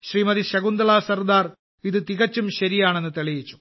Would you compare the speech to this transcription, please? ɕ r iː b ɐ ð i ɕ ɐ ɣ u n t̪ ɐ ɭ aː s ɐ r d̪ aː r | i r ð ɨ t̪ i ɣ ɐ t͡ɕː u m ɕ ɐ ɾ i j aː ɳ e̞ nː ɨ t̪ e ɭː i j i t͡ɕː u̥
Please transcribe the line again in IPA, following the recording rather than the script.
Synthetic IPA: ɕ r iː m ɐ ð i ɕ ɐ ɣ u n d̪ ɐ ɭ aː s ɐ r d̪ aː r | i ð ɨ t̪ i ɣ ɐ t͡ɕː u m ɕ ɐ ɾ i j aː ɳ e̞ nː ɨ t̪ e ɭ i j i t͡ɕː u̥